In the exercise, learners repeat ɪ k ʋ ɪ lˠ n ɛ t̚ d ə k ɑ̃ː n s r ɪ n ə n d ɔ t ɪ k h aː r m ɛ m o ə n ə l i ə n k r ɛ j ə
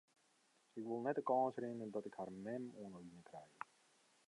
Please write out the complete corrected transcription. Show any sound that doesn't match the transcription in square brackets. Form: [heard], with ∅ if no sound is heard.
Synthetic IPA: ɪ k ʋ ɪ lˠ n ɛ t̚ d ə k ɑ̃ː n s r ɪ n ə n d ɔ t ɪ k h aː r m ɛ m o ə n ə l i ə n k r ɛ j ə